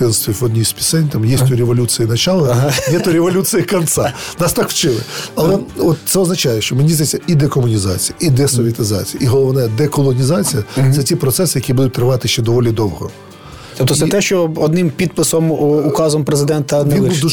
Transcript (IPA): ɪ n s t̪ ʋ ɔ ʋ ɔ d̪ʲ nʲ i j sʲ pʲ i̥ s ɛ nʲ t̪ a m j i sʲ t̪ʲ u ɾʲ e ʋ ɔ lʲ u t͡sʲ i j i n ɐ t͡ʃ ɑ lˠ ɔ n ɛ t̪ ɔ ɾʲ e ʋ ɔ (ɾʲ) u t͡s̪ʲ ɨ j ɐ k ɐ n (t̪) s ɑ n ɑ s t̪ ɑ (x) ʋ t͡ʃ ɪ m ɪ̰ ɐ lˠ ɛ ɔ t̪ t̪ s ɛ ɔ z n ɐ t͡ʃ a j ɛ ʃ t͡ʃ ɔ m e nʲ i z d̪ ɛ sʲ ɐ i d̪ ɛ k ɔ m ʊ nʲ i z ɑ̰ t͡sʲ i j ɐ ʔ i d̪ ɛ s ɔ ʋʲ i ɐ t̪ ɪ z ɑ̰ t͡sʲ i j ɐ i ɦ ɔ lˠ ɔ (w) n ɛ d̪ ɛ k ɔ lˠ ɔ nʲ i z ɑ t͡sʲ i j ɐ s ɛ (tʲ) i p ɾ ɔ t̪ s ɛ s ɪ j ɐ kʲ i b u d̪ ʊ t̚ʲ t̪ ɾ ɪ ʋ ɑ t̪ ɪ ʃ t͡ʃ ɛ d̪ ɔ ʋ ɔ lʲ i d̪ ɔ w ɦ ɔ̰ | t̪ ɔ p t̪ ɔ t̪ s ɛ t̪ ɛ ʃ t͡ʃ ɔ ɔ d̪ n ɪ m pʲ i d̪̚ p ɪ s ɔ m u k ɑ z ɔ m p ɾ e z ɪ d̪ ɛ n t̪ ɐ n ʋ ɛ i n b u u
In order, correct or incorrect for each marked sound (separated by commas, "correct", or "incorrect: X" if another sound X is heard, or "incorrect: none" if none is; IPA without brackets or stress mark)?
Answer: incorrect: lʲ, correct, incorrect: k, incorrect: ʋ, correct